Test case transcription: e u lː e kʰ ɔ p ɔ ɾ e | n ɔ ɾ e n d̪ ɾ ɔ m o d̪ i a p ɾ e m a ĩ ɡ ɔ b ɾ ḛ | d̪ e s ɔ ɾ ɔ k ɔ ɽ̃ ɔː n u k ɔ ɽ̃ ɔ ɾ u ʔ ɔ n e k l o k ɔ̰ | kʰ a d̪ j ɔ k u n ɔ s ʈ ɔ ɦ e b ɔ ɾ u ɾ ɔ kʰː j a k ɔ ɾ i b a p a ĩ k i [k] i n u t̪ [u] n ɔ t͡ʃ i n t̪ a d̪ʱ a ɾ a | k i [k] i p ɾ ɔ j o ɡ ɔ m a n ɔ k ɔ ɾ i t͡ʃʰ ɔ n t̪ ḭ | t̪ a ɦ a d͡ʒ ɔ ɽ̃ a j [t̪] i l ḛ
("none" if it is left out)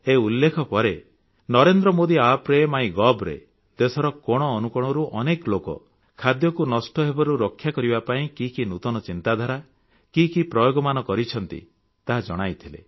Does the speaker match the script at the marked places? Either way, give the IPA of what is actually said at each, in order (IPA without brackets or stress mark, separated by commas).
k, ɔ, k, t̪ʰ